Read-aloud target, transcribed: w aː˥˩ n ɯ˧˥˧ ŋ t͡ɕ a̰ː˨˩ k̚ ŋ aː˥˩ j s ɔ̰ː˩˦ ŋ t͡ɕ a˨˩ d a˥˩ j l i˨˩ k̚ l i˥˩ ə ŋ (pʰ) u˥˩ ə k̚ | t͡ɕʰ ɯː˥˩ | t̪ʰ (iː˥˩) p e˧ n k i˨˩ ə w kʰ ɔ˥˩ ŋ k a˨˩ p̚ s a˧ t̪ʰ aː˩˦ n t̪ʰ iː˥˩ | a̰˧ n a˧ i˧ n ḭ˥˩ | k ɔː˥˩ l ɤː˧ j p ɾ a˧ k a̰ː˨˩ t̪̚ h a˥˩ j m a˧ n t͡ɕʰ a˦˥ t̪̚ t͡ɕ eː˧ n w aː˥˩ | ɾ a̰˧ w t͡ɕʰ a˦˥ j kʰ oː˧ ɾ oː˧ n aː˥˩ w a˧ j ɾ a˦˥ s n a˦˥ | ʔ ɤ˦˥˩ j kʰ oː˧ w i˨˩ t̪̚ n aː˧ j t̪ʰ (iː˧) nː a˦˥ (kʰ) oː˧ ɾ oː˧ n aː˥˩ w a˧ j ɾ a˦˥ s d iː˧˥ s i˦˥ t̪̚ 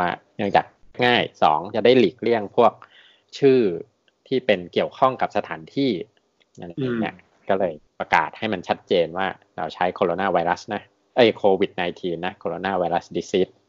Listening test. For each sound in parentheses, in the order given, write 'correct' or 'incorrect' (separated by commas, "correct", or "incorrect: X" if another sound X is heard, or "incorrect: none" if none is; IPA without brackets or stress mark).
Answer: correct, correct, correct, correct